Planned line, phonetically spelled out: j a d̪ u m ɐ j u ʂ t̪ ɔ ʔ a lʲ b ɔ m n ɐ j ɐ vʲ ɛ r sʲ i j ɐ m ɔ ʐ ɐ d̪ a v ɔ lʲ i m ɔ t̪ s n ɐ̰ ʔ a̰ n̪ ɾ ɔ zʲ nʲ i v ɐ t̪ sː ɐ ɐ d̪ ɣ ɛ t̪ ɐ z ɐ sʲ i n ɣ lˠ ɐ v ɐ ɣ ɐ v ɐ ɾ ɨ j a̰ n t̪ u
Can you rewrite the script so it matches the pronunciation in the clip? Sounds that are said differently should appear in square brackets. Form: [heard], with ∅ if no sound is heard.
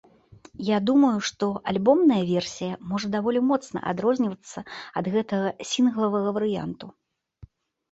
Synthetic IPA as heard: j a d̪ u m ɐ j u ʂ t̪ ɔ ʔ a lʲ b ɔ m n ɐ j ɐ vʲ ɛ r sʲ i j ɐ m ɔ ʐ ɐ d̪ a v ɔ lʲ i m ɔ t̪ s n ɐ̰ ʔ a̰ [d̪] ɾ ɔ zʲ nʲ i v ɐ t̪ sː ɐ ɐ d̪ ɣ ɛ t̪ ɐ [ɣ] ɐ sʲ i n ɣ lˠ ɐ v ɐ ɣ ɐ v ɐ ɾ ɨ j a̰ n t̪ u